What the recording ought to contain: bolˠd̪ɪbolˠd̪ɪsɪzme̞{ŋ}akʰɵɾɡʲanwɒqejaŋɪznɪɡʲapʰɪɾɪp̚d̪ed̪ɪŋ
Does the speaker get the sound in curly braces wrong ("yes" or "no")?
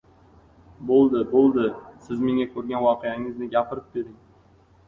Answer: no